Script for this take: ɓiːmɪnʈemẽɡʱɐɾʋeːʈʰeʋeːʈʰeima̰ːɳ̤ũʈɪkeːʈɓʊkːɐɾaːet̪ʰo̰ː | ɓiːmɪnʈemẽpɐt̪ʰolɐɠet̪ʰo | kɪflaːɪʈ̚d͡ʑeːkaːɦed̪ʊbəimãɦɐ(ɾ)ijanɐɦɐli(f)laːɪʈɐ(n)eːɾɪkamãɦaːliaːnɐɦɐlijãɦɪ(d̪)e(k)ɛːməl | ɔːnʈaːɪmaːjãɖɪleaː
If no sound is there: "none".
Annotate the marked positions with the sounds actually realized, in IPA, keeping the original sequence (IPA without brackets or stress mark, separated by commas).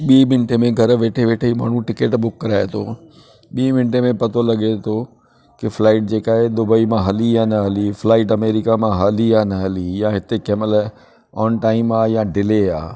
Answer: l, f, m, t̪, k